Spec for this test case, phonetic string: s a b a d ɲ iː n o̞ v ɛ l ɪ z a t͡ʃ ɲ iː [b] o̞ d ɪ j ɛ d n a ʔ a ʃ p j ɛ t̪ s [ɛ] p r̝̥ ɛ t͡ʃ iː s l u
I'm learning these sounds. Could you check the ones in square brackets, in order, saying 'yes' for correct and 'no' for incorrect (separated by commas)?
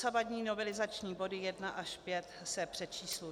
yes, yes